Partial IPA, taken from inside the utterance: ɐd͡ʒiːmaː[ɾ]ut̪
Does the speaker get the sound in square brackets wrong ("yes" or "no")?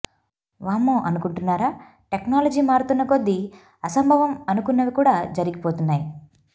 no